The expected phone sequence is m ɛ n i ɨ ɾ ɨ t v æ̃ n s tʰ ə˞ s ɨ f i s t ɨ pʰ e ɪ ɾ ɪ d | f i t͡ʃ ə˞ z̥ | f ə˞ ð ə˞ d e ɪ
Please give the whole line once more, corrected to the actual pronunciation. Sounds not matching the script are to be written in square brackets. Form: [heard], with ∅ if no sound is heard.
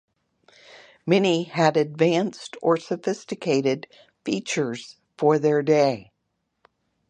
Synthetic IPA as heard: m ɛ n i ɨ ɾ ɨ [d] v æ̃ n s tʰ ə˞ s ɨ f [ɪ] s t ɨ [kʰ] e ɪ ɾ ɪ d | f i t͡ʃ ə˞ z̥ | f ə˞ ð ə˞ d e ɪ